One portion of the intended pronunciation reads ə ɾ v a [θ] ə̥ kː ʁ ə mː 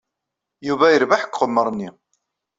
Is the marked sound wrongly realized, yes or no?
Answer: yes